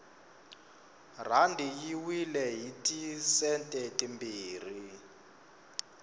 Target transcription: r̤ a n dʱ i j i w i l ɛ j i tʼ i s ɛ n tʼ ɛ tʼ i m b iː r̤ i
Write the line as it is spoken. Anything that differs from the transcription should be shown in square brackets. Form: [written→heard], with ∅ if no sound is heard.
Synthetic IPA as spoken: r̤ a n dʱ i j i w i l ɛ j i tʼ i s ɛ n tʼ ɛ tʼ i m b iː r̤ i